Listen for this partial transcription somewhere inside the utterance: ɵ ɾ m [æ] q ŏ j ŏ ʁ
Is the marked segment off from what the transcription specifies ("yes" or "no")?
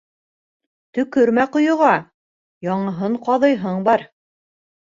no